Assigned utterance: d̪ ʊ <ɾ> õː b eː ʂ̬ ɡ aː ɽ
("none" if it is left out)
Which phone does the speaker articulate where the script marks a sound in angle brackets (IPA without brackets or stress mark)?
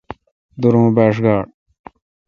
ɾ